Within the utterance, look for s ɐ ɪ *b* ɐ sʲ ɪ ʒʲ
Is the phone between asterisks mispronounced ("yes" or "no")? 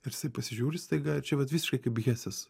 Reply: yes